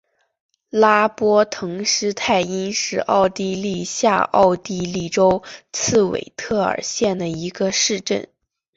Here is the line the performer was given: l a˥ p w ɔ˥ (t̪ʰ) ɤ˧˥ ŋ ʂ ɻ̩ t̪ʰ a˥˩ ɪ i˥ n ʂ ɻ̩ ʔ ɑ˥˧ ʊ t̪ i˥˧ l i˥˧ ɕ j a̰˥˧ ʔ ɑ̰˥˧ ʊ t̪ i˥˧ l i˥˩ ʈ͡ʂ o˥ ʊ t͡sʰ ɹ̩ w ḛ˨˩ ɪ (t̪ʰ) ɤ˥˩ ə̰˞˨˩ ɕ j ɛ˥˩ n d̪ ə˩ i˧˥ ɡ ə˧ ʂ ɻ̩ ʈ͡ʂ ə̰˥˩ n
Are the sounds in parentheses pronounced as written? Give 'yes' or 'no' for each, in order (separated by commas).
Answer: yes, yes